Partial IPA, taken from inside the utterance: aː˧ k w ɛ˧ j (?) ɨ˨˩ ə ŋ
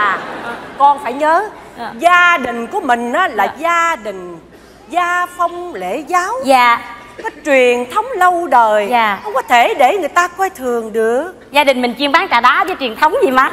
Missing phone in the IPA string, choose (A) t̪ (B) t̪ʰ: B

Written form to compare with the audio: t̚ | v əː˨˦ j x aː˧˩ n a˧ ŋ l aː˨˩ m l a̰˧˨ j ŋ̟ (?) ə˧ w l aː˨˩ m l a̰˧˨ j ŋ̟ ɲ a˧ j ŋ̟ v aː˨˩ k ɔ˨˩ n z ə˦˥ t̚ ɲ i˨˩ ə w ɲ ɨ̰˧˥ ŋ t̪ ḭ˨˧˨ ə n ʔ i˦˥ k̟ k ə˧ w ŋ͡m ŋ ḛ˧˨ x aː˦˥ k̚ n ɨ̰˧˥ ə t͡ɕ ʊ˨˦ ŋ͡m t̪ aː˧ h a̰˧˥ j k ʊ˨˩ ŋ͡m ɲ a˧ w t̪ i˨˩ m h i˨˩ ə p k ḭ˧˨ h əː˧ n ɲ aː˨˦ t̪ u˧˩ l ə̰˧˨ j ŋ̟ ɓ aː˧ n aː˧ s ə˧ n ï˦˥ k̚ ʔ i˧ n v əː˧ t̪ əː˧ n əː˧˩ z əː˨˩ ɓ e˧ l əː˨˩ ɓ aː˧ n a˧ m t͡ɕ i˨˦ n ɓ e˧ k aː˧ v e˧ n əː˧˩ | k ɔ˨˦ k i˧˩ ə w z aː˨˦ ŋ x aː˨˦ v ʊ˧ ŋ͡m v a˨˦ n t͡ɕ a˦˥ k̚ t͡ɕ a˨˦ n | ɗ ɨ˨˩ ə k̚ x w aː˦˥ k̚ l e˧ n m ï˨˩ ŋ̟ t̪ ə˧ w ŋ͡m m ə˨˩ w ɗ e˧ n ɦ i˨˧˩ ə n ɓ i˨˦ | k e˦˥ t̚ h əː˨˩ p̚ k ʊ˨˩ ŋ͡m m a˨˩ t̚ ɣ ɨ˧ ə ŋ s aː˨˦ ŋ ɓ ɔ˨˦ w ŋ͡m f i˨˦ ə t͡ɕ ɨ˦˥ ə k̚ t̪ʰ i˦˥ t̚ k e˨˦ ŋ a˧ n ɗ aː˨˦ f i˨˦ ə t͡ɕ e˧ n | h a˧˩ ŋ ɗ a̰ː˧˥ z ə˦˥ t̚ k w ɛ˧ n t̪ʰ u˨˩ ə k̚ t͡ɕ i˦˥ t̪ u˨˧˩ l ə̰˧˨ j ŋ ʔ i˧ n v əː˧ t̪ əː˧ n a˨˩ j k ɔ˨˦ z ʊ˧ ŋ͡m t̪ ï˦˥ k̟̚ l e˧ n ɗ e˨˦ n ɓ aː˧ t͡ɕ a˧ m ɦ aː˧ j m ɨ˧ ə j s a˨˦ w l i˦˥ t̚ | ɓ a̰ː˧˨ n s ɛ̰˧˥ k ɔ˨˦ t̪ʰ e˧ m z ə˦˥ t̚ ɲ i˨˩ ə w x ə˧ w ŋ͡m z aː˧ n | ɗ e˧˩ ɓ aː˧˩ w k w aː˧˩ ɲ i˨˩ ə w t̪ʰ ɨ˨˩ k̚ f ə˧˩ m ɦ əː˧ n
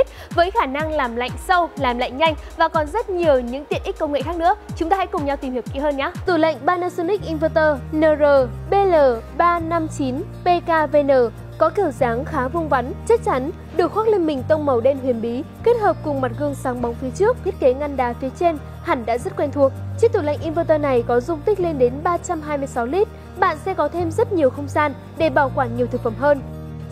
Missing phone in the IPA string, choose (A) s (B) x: A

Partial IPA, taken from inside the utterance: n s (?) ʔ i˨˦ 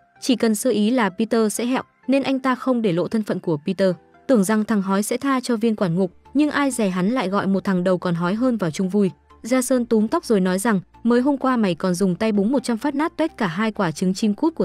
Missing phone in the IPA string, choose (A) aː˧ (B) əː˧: B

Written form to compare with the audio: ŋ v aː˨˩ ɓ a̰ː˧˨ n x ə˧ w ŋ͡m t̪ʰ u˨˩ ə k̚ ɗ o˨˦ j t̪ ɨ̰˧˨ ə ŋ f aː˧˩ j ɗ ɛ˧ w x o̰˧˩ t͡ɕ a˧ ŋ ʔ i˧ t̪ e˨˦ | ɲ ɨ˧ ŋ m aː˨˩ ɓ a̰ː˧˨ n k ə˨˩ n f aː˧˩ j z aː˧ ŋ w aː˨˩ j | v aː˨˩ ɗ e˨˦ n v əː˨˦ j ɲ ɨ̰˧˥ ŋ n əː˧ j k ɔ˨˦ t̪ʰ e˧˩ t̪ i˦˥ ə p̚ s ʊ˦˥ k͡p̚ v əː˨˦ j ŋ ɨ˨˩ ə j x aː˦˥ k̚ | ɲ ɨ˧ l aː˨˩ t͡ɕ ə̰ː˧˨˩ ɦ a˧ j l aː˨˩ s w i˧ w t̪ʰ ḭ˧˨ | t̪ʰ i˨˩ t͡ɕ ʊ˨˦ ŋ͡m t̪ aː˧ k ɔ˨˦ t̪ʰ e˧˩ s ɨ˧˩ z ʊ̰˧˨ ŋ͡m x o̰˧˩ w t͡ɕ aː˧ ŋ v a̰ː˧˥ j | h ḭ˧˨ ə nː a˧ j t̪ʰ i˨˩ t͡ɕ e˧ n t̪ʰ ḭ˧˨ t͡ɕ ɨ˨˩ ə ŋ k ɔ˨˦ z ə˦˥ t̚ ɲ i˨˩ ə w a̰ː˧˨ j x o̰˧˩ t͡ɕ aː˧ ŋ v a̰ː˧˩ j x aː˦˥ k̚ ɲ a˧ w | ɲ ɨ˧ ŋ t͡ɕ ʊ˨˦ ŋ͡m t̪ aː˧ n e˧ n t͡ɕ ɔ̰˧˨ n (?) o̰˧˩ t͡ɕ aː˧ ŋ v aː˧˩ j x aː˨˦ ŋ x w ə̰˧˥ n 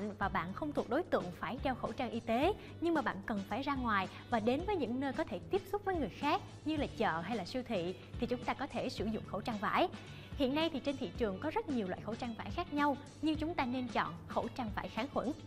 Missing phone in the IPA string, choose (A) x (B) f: A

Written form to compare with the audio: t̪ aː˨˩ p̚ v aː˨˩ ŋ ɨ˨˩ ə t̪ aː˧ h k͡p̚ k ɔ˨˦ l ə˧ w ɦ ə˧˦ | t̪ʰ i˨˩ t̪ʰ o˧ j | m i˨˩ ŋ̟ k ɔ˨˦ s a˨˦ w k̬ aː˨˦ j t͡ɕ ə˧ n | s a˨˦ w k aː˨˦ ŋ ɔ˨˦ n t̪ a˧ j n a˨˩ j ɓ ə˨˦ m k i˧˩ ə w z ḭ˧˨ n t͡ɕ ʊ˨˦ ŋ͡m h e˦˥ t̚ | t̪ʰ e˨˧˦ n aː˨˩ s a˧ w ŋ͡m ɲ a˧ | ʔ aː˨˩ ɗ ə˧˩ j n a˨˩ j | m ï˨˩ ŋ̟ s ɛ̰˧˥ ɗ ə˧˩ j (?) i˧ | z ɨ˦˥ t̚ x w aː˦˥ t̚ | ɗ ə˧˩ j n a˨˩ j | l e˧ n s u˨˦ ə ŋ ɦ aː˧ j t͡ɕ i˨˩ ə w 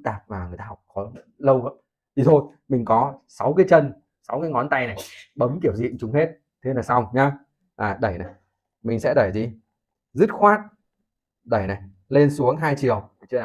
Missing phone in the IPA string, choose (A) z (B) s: A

